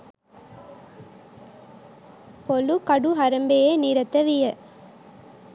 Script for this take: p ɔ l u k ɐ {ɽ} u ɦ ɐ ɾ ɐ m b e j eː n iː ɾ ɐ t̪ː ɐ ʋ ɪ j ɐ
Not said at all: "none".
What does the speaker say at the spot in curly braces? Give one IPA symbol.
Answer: ɽ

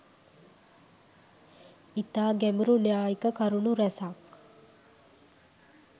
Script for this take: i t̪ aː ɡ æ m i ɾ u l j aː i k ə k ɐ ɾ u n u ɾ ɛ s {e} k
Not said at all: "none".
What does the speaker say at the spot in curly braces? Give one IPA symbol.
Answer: a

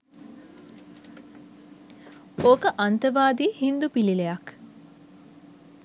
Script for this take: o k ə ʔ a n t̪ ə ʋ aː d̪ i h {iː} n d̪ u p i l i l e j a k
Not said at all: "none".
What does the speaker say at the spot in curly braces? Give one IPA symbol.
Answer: i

